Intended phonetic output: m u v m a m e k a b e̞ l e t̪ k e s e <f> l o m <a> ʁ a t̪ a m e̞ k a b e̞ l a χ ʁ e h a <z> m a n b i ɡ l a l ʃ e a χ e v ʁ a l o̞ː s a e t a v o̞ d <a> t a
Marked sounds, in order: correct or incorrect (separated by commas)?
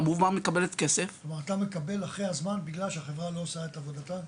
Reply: correct, correct, correct, correct